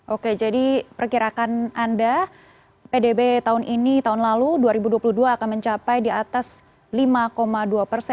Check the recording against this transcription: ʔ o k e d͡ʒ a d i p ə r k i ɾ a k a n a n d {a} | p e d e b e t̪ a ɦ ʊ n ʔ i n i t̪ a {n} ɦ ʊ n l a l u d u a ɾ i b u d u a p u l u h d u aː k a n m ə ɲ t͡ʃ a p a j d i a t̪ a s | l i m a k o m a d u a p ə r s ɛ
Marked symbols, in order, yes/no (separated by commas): yes, no